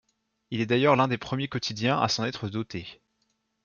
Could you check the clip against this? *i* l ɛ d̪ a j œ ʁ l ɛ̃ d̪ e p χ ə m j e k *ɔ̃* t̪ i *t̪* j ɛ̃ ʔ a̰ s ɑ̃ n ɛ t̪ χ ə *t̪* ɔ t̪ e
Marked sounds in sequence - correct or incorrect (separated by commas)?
correct, incorrect, incorrect, incorrect